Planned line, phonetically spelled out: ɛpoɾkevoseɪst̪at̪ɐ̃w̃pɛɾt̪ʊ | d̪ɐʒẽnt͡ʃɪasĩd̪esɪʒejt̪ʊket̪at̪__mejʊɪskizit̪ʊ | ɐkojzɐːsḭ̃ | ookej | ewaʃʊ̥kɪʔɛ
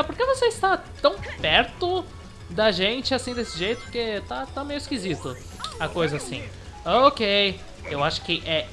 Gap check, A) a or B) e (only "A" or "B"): A